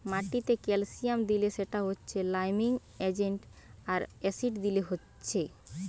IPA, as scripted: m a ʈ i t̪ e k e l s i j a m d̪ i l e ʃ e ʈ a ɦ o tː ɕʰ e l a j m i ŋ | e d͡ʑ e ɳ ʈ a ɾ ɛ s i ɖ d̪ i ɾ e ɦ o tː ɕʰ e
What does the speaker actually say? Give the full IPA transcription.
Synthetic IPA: m a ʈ i t̪ e k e l s i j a m d̪ i l e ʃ e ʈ a ɦ o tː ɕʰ e l a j m i ŋ | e d͡ʑ e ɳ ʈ a ɾ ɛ s i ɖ d̪ i l e ɦ o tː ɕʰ e